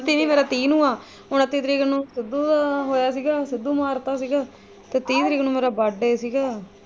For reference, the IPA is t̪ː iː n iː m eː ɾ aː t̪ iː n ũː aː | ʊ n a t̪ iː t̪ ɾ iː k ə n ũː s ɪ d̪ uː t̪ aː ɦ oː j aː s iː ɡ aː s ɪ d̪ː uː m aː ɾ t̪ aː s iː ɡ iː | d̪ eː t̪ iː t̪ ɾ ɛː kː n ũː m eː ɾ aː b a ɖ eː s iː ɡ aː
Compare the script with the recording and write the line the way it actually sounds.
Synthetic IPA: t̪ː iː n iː m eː ɾ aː t̪ iː n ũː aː | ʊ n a t̪ iː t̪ ɾ iː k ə n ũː s ɪ d̪ uː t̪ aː ɦ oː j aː s iː ɡ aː s ɪ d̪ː uː m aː ɾ t̪ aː s iː ɡ aː | t̪ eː t̪ iː t̪ ɾ iː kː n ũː m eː ɾ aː b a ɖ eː s iː ɡ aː